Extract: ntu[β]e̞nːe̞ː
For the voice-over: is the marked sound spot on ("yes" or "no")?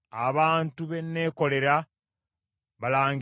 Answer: yes